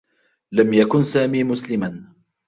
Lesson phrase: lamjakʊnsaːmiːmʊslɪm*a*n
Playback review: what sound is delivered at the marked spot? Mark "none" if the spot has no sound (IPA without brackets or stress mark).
a